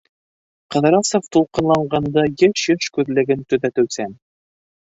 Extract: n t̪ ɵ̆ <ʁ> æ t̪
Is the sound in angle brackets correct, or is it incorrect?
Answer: incorrect